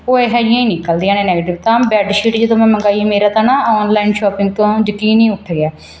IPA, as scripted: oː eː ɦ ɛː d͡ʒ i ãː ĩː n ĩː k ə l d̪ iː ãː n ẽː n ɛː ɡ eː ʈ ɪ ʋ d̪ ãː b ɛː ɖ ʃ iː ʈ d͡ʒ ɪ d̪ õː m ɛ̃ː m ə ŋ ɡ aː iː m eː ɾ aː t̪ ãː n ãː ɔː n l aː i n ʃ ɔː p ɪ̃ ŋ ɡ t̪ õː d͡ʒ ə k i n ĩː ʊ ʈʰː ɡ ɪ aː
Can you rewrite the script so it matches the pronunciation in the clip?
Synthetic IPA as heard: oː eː ɦ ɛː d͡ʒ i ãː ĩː n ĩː k ə l d̪ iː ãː n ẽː n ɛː ɡ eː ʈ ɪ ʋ t̪ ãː b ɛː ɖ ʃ iː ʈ d͡ʒ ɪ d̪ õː m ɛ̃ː m ə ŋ ɡ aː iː m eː ɾ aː t̪ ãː n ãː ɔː n l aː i n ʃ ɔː p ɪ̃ ŋ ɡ t̪ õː d͡ʒ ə k iː n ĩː ʊ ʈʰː ɡ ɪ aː